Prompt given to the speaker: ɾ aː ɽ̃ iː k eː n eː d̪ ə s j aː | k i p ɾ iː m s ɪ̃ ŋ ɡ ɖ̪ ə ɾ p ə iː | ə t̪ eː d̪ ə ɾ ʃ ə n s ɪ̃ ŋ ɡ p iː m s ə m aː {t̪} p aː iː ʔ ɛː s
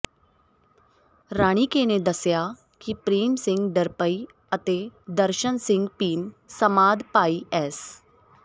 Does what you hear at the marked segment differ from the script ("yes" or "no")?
yes